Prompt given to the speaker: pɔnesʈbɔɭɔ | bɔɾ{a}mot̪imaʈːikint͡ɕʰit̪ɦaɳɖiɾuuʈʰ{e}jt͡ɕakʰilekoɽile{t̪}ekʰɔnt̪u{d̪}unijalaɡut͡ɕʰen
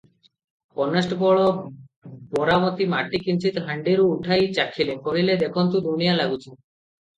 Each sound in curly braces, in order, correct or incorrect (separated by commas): correct, incorrect, incorrect, correct